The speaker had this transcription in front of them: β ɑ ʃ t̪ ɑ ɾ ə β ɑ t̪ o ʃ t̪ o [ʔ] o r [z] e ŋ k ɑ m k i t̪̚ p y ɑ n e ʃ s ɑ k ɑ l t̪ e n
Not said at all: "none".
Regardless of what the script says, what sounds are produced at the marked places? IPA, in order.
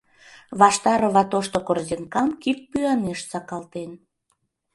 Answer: k, z

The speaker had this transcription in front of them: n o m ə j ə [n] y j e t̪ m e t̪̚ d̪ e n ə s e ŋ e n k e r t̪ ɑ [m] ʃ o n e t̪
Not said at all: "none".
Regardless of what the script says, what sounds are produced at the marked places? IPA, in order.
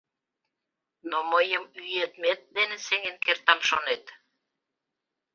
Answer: m, m

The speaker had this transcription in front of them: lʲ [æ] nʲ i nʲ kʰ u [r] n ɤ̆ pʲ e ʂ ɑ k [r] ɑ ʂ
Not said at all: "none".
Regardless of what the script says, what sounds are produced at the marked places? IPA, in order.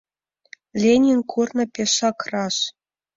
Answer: e, r, r

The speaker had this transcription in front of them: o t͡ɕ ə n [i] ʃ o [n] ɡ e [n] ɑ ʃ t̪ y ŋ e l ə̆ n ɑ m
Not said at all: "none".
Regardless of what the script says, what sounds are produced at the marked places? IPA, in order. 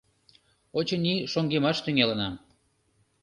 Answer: i, ŋ, m

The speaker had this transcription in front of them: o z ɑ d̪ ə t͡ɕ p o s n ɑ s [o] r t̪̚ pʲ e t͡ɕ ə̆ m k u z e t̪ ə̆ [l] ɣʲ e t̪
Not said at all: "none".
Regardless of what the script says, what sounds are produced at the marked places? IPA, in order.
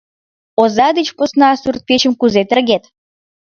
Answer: u, r

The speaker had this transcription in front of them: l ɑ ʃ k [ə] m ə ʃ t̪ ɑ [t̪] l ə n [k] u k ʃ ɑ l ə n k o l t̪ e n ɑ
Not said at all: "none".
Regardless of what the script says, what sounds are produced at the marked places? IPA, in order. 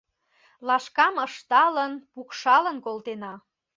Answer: ɑ, none, p

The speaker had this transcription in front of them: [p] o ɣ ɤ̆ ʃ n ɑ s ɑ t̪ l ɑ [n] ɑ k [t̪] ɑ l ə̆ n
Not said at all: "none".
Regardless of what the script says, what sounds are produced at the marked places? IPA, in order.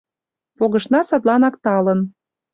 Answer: p, n, t̪

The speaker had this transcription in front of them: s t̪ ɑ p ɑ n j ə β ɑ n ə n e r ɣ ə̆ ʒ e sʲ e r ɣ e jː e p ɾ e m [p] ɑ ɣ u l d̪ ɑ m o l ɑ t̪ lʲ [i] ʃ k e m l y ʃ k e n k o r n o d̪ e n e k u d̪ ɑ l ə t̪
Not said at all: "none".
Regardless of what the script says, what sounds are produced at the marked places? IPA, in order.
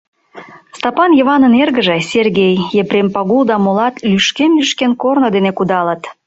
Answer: p, y

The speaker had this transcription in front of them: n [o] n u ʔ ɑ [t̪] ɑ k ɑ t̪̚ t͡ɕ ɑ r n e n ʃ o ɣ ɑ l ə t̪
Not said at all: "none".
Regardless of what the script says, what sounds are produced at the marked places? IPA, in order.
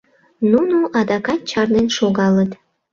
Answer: u, d̪

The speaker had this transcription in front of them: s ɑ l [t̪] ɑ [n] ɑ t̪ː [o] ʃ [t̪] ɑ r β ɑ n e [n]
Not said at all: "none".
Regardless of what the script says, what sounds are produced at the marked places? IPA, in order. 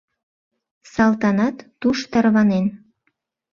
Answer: t̪, n, u, t̪, n

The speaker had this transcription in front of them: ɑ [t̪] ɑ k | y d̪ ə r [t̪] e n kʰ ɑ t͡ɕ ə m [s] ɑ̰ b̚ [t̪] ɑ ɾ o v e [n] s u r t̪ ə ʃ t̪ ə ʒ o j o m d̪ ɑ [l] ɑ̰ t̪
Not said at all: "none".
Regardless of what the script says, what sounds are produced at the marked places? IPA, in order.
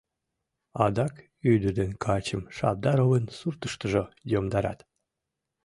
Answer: d̪, d̪, ʃ, d̪, n, ɾ

